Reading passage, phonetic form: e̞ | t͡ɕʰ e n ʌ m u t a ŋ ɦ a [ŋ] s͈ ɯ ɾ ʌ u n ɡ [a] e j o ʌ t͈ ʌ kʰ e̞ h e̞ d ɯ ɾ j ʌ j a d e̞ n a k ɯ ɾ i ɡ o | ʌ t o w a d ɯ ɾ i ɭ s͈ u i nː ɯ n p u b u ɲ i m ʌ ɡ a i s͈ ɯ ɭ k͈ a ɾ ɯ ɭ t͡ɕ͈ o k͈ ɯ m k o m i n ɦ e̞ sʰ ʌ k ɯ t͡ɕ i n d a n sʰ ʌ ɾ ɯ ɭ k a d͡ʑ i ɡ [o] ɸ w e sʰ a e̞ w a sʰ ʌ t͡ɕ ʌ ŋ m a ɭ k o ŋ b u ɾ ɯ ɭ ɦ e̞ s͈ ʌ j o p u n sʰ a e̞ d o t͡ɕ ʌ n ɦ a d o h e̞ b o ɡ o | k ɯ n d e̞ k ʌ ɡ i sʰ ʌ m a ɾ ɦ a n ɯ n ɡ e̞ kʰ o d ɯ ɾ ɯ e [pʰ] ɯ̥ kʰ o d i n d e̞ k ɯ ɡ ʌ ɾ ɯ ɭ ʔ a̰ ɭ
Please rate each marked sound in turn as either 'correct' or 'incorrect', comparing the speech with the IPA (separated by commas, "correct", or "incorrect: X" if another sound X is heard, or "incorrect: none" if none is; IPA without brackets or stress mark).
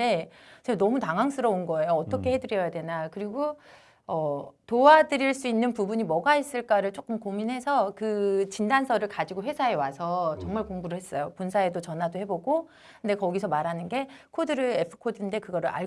correct, incorrect: ʌ, correct, correct